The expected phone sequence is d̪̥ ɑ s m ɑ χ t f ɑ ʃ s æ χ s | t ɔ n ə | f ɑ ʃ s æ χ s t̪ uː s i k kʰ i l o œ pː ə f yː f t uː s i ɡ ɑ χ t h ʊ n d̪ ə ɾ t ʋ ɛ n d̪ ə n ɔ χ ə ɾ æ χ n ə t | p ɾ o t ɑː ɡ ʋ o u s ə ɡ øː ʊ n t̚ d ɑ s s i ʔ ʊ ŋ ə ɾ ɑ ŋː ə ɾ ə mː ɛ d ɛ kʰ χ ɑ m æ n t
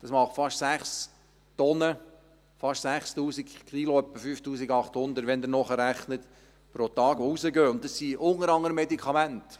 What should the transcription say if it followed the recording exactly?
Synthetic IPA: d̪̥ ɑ s m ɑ χ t f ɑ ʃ s æ χ s | t ɔ n ə | f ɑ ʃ s æ χ s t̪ uː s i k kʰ i l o œ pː ə f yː f t uː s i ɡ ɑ χ t h ʊ n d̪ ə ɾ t ʋ ɛ n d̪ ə n ɔ χ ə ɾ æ χ n ə t | p ɾ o t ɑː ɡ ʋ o u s ə ɡ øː ʊ n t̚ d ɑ s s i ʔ ʊ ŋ ə ɾ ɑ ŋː ə ɾ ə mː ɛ d i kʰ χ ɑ m æ n t